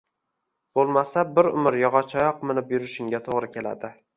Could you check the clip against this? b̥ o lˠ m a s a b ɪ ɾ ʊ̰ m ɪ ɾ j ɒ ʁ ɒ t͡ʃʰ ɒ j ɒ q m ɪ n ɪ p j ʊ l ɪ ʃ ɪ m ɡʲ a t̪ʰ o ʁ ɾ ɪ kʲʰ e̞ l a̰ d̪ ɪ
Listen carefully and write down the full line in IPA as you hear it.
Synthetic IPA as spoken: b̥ o lˠ m a s a b ɪ ɾ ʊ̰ m ɪ ɾ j ɒ ʁ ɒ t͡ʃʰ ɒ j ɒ q m ɪ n ɪ p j ʊ ɾ ɪ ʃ ɪ ŋ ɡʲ a t̪ʰ o ʁ ɾ ɪ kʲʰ e̞ l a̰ d̪ ɪ